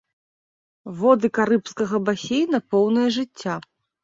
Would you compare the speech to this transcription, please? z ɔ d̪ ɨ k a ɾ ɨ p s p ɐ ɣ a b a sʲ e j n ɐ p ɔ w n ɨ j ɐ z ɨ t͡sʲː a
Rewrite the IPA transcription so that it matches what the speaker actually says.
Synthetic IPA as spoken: v ɔ d̪ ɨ k a ɾ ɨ p s k ɐ ɣ ɐ b a sʲ e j n ɐ p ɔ w n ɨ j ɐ ʐ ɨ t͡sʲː a

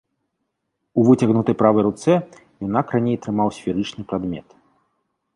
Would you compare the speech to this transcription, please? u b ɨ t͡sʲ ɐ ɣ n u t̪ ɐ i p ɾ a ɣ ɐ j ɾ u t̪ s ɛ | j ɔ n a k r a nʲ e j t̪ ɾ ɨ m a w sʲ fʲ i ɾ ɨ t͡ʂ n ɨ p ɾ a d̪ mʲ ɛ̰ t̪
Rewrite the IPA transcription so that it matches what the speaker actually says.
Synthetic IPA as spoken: u v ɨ t͡sʲ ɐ ɣ n u t̪ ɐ j p ɾ a v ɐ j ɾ u t̪ s ɛ | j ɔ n a k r a nʲ e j t̪ ɾ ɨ m a w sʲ fʲ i ɾ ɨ t͡ʂ n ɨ p ɾ a d̪ mʲ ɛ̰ t̪

